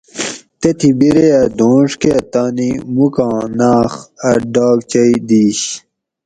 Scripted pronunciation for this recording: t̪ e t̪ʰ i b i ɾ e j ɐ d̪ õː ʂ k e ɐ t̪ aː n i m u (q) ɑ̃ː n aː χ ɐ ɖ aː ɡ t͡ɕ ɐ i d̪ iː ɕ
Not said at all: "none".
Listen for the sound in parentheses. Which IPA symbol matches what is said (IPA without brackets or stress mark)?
k